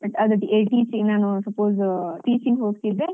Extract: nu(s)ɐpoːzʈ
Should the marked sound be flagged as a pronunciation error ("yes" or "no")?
no